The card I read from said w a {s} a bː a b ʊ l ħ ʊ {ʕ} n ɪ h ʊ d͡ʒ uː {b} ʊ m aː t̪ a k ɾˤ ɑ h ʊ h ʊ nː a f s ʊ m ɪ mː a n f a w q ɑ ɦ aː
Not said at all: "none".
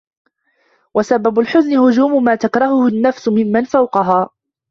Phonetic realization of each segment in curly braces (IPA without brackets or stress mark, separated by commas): s, z, m